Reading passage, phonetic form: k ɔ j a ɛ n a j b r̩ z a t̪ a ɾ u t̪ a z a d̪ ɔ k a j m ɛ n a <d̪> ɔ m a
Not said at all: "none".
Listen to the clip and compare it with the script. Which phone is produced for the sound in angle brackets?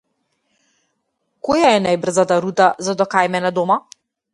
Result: d̪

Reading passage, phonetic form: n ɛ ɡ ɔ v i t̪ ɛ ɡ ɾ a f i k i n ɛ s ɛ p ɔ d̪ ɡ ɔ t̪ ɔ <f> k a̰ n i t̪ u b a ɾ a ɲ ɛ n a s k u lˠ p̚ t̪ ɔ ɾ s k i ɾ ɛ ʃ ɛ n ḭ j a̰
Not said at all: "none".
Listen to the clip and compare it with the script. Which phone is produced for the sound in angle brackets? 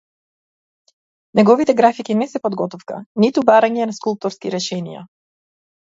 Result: f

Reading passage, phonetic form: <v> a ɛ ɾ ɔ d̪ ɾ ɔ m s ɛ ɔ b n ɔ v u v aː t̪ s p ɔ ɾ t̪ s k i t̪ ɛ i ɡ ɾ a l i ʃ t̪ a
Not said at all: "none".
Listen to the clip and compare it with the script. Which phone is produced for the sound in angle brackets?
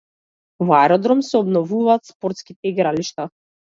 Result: v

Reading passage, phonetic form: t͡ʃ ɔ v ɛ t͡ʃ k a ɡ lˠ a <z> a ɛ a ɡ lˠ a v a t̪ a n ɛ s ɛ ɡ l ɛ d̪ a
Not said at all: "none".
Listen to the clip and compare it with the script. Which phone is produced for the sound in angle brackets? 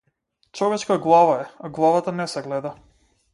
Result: v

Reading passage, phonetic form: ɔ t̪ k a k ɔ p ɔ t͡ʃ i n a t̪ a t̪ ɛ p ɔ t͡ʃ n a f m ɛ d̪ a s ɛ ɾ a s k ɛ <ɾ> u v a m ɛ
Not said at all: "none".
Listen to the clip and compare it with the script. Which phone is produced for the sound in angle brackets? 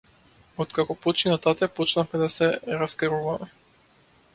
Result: ɾ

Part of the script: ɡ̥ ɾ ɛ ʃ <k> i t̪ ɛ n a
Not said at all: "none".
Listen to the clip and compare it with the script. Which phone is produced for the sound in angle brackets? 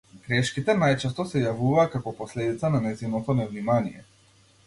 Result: k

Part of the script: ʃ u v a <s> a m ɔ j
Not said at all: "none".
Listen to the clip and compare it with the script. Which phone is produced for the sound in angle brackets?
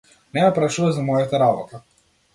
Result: z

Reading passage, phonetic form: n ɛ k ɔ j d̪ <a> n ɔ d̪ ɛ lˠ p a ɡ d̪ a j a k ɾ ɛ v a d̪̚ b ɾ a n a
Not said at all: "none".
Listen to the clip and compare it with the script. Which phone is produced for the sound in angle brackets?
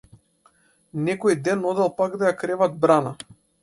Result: ɛ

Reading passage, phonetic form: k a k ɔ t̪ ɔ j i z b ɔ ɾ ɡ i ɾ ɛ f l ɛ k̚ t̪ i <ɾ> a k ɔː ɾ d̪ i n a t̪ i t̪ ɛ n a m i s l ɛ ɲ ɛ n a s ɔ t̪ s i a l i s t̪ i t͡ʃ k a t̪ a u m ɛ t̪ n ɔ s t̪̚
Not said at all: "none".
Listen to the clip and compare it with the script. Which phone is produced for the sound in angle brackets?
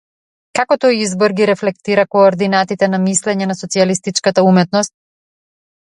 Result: ɾ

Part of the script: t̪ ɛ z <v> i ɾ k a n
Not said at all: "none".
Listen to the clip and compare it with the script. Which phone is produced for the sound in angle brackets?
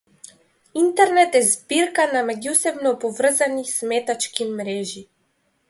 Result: b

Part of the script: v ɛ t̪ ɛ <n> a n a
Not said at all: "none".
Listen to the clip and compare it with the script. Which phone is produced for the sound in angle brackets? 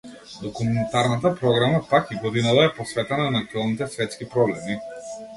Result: n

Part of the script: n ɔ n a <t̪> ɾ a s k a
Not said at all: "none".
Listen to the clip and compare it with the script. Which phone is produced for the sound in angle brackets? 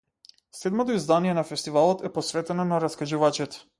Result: none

